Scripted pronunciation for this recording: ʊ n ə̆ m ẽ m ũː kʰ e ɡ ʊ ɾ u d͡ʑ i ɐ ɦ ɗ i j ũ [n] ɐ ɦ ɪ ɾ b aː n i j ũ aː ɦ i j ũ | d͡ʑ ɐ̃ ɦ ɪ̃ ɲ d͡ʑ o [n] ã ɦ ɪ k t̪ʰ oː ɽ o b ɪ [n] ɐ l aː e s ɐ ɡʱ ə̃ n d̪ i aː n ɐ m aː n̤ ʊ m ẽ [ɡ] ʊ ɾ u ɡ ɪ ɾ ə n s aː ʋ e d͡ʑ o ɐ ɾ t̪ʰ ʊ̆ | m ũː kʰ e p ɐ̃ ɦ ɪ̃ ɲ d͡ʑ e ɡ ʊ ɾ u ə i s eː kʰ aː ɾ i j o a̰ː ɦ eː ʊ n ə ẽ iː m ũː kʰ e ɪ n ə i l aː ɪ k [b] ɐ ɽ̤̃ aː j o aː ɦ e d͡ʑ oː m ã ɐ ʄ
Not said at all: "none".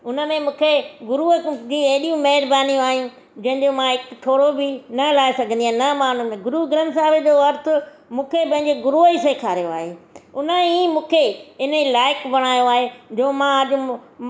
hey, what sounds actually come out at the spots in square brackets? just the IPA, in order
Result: m, m, n, ɡ, b

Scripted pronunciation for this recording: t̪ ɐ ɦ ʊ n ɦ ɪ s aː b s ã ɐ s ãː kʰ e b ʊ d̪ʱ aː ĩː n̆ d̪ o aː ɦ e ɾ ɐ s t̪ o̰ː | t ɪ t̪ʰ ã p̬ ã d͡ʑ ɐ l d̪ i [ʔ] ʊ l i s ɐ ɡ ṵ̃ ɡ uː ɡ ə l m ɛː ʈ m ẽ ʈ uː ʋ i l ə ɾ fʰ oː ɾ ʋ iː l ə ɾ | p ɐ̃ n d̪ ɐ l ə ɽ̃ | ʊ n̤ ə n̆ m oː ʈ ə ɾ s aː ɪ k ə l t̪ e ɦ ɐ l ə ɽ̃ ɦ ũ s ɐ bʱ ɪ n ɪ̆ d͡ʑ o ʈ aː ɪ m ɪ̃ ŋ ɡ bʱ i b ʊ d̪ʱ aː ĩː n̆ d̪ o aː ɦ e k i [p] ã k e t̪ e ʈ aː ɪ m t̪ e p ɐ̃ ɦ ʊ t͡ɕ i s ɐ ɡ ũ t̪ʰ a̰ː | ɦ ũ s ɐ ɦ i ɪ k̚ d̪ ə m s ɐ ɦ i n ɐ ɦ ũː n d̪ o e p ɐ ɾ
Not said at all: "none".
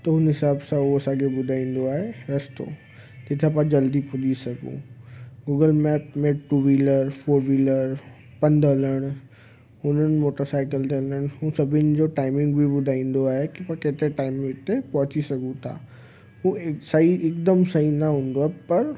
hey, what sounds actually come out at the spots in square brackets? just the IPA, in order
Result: p, p

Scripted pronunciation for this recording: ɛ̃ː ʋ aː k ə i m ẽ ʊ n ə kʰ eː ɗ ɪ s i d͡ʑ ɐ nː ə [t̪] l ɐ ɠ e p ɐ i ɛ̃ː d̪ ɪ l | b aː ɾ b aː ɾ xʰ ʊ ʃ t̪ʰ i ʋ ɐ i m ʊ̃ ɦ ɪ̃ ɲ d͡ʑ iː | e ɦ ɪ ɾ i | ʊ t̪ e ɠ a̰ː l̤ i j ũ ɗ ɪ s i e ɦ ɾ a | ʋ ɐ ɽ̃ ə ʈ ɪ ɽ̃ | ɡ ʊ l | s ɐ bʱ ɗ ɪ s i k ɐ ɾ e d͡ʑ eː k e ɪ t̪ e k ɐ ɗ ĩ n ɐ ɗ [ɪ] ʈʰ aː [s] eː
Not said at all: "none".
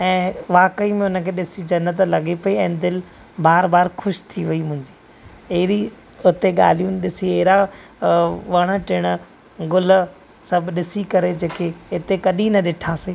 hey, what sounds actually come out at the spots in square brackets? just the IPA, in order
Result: t̪, ɪ, s

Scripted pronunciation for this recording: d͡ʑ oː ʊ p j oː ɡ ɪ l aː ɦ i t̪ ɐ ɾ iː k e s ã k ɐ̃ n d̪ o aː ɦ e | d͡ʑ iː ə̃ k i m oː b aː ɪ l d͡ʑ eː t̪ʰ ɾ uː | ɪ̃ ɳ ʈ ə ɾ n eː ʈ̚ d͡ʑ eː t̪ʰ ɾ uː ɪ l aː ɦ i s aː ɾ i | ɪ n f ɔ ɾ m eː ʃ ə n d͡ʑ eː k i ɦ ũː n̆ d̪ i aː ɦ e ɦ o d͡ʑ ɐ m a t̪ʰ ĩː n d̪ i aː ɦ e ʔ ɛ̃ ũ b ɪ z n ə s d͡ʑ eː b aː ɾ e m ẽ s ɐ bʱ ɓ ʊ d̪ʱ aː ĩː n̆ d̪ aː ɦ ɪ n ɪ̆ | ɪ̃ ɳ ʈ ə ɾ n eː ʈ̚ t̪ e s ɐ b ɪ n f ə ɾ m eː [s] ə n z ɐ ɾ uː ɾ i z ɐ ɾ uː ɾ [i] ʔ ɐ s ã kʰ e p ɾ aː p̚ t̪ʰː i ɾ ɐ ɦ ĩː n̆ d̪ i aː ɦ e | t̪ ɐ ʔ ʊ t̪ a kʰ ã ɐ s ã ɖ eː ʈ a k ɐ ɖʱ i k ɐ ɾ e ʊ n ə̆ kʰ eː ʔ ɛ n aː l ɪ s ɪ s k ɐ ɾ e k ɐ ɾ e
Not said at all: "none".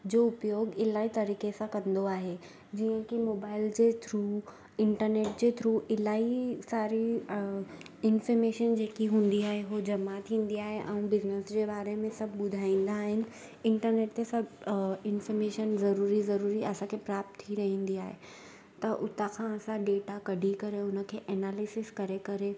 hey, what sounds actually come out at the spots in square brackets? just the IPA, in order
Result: ʃ, i

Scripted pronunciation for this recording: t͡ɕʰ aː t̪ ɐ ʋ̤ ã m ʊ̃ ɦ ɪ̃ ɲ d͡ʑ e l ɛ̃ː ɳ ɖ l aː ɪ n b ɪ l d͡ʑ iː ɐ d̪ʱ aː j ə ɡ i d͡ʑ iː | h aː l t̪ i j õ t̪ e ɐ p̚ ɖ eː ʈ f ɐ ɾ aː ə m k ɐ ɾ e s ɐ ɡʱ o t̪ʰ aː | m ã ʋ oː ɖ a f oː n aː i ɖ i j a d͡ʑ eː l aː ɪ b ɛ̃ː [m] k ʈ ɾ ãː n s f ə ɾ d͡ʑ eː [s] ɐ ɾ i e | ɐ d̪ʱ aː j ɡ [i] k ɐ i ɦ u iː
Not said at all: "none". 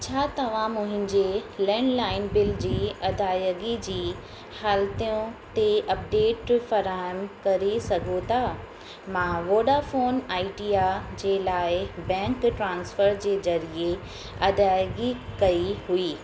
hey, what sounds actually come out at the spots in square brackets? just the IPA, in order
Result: ŋ, z, i

